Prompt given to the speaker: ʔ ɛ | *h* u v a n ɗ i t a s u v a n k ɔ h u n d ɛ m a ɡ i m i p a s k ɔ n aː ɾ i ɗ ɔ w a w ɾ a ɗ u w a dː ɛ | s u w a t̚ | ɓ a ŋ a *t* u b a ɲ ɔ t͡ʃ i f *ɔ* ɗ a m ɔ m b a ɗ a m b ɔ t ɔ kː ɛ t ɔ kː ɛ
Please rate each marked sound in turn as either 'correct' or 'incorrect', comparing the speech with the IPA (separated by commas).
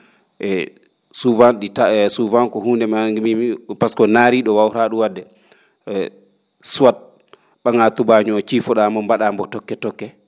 incorrect, correct, correct